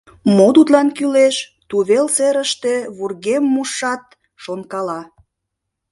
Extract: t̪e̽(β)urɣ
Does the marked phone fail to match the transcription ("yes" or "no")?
no